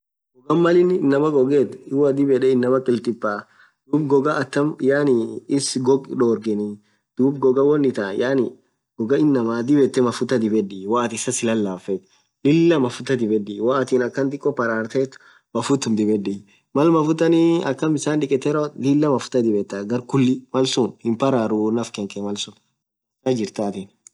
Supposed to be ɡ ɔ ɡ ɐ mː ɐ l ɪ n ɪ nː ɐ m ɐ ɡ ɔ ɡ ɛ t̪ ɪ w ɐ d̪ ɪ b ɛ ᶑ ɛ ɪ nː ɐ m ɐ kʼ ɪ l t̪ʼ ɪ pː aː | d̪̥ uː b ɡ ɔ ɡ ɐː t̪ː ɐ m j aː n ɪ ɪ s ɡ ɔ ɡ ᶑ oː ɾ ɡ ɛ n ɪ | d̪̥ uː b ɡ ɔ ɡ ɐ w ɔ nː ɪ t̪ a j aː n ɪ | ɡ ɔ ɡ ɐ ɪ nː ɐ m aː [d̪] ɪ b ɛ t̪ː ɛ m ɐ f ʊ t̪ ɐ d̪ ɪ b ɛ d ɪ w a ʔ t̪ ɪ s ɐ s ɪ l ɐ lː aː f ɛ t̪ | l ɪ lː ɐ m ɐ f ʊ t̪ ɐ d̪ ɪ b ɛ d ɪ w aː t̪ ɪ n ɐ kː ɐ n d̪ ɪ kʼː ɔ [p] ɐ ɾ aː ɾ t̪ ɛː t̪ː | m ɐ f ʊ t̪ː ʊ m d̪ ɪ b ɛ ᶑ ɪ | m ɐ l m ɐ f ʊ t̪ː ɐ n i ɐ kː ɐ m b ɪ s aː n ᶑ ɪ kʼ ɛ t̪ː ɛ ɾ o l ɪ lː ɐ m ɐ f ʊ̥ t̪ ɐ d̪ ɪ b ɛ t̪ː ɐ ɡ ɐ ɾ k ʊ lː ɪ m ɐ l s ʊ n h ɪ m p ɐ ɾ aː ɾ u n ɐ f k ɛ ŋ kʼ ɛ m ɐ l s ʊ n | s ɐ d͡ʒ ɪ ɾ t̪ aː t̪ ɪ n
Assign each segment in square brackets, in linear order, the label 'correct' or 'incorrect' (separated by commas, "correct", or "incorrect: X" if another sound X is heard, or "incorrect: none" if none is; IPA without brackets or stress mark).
correct, correct